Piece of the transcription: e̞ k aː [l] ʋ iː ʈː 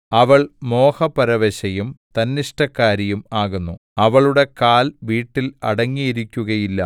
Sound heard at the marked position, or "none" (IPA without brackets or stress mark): l